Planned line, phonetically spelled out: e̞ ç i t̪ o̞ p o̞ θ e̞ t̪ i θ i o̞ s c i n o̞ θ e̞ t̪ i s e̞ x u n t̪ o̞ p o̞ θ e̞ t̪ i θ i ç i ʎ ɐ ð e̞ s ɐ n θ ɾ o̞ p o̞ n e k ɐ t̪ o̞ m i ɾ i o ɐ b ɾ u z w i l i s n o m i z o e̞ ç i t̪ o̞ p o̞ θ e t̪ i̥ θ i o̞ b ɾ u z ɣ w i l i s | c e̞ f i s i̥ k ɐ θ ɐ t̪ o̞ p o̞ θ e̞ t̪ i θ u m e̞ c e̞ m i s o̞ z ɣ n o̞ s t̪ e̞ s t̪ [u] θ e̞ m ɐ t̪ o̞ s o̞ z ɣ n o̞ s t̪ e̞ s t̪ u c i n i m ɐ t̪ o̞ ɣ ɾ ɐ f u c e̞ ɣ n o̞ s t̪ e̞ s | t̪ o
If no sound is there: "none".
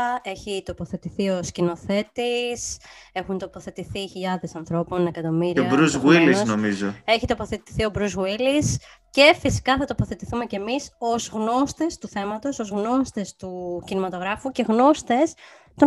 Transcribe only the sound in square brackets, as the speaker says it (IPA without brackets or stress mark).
u